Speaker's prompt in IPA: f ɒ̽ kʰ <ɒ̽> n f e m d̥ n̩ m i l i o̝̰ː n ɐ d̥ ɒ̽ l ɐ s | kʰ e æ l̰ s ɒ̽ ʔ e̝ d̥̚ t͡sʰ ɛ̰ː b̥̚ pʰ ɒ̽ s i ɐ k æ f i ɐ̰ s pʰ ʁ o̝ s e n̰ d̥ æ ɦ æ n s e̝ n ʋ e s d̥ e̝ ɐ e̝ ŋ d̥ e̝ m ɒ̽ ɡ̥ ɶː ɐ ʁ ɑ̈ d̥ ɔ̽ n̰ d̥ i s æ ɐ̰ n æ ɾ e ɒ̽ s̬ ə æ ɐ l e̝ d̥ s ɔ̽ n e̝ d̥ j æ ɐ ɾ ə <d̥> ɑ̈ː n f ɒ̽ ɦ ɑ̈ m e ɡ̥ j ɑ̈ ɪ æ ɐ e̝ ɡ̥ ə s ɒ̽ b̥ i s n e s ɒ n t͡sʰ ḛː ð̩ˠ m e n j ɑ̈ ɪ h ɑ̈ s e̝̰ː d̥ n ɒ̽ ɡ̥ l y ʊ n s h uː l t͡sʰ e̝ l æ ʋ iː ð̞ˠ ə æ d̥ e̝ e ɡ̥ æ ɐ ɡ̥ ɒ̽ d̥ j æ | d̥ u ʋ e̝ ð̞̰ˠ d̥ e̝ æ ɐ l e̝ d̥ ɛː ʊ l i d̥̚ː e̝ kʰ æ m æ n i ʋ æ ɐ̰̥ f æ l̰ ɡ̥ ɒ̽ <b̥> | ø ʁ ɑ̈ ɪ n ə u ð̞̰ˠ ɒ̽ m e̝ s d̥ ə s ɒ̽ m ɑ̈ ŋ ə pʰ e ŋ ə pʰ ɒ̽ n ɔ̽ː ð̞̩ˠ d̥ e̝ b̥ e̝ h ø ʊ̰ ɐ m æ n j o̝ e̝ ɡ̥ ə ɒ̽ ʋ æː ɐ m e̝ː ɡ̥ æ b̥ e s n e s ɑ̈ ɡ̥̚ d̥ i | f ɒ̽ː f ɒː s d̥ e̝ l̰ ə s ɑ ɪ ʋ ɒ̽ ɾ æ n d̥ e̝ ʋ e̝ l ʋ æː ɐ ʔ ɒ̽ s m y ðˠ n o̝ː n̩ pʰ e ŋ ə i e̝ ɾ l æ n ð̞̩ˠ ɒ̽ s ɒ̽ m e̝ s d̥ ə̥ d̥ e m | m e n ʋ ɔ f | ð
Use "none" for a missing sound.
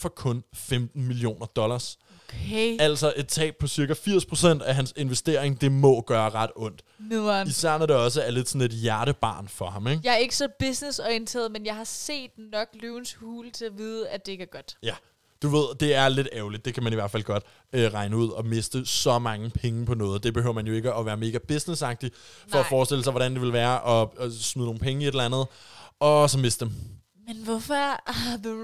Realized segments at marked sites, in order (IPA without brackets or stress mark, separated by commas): ɔ̽, b̥, d̥